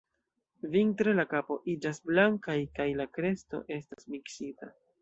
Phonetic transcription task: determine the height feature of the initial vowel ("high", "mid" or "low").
high